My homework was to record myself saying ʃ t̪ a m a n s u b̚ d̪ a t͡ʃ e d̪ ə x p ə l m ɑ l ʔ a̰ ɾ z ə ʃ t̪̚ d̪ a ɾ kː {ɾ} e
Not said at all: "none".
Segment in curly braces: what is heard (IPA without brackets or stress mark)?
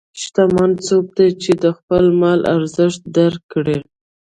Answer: ɽ